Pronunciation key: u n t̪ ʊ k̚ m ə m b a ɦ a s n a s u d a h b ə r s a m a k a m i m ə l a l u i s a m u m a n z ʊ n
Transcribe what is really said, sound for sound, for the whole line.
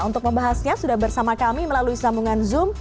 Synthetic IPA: u n t̪ ʊ k̚ m ə m b a ɦ a s ɲ a s u d a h b ə r s a m a k a m i m ə l a l u i s a m u ŋ a n z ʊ m